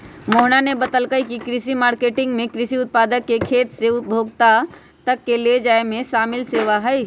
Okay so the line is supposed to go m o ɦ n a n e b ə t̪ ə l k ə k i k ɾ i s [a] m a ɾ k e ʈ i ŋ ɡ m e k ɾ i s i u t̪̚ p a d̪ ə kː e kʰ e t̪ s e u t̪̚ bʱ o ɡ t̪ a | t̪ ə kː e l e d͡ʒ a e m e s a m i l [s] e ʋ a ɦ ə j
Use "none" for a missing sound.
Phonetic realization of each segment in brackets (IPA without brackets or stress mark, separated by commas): i, s